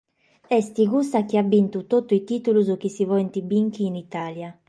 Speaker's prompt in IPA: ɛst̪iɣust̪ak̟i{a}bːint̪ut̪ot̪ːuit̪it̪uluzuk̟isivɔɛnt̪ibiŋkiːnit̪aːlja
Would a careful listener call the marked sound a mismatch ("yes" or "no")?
no